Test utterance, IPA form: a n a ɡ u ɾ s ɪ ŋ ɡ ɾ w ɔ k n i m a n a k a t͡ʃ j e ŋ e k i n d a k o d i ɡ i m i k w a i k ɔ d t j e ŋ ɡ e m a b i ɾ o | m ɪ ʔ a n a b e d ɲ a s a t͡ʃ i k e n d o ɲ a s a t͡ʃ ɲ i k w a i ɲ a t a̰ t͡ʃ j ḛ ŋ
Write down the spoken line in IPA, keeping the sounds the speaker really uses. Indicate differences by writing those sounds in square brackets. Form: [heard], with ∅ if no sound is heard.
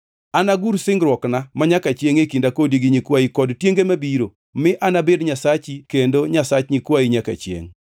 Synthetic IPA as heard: a n a ɡ u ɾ s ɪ ŋ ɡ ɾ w ɔ k n [a] m a [ɲ] a k a t͡ʃ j e ŋ e k i n d a k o d i ɡ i [ɲ] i k w a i k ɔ d t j e ŋ ɡ e m a b i ɾ o | m ɪ ʔ a n a b e d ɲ a s a t͡ʃ i k e n d o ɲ a s a t͡ʃ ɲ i k w a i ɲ a [k] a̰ t͡ʃ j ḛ ŋ